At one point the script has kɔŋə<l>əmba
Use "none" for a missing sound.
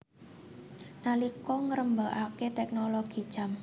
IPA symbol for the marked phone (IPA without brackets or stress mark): ɾ